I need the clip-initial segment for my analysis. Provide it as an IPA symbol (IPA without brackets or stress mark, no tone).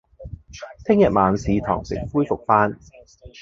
t̪ʰ